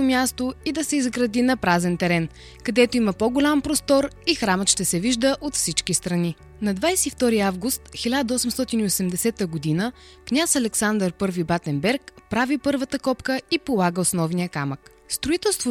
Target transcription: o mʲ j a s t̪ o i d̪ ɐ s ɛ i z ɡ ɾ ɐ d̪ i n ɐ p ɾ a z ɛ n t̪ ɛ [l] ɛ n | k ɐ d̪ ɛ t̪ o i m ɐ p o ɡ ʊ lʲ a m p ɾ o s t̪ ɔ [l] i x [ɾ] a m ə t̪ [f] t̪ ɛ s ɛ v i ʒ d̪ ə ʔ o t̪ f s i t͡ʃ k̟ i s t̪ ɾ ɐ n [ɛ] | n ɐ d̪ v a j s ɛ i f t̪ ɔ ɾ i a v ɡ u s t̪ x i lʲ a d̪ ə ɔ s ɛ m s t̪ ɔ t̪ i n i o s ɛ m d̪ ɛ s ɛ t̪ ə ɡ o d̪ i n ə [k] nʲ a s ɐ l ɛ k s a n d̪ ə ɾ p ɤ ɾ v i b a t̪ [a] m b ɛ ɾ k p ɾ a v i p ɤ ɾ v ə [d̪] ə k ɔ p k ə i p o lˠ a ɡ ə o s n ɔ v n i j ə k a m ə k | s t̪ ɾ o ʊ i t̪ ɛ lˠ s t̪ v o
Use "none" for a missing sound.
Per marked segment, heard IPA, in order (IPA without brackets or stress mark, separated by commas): ɾ, ɾ, ɾ, ʃ, i, k, ɛ, t̪